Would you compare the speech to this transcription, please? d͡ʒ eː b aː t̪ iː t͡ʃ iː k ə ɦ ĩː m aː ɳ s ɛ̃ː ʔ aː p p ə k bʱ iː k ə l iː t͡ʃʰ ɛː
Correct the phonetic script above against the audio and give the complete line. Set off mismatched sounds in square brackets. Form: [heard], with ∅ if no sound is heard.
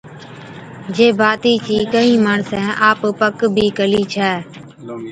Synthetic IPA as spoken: d͡ʒ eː b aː t̪ iː t͡ʃ iː k ə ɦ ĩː m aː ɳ s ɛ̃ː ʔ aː p p ə k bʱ iː k ə l iː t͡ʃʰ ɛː